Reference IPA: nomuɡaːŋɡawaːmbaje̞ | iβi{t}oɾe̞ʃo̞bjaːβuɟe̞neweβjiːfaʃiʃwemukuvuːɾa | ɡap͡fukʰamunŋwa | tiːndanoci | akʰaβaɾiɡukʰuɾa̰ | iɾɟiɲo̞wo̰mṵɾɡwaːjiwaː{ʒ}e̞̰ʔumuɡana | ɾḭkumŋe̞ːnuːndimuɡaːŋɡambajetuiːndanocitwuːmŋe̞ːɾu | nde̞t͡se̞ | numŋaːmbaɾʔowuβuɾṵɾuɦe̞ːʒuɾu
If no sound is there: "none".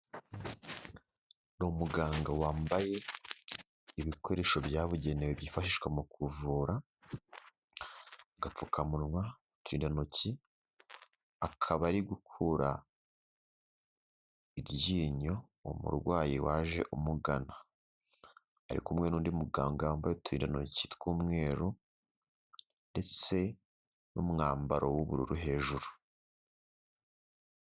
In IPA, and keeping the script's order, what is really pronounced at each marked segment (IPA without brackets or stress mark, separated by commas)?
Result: k, ʒ